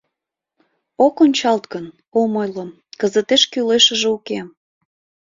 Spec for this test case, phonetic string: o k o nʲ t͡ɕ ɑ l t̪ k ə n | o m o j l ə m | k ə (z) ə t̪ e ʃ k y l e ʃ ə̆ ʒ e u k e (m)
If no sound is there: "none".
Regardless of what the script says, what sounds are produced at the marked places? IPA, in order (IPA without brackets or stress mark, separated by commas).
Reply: z, m